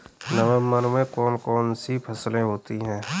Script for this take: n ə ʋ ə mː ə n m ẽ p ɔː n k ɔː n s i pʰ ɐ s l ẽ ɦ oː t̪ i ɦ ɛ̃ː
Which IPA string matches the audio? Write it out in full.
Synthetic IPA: n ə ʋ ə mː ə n m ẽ k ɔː n k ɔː n s i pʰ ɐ s l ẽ ɦ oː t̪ i ɦ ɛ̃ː